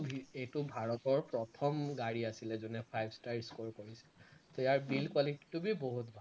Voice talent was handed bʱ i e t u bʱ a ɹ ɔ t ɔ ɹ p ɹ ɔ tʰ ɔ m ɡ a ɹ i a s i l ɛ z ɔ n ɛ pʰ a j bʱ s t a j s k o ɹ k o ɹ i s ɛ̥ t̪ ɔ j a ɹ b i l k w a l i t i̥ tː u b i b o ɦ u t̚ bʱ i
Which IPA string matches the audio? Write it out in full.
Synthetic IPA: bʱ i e t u bʱ a ɹ ɔ t ɔ ɹ p ɹ ɔ tʰ ɔ m ɡ a ɹ i a s i l ɛ z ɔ n ɛ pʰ a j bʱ s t a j s k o ɹ k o ɹ i s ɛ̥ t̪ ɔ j a ɹ b i l k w a l i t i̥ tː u b i b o ɦ u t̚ bʱ a